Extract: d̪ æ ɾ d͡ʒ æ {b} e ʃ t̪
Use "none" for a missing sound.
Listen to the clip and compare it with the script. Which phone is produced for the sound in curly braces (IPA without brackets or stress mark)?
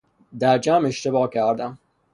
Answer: m